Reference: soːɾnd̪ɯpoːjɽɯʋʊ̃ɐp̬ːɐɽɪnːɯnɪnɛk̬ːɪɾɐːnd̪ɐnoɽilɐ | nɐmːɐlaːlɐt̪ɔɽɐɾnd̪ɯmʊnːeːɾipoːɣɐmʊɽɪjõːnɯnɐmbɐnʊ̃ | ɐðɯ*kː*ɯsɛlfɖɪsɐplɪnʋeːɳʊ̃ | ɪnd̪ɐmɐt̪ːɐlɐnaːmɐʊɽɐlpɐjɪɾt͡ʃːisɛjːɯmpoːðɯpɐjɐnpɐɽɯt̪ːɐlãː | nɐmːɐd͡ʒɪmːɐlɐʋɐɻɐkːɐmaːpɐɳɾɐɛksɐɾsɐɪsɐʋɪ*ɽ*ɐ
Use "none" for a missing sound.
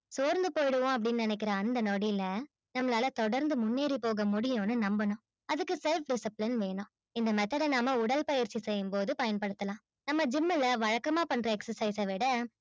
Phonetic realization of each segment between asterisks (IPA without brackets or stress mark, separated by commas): kː, ɽ